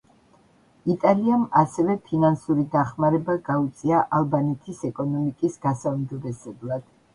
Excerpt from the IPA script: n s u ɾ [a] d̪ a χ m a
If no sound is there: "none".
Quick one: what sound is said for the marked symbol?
i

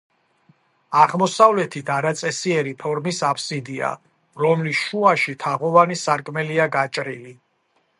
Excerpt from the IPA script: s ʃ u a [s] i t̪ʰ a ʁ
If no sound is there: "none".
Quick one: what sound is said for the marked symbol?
ʃ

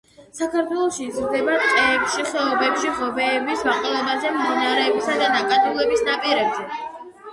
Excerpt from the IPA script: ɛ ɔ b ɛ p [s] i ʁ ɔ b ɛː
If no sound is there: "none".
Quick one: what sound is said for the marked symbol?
ʃ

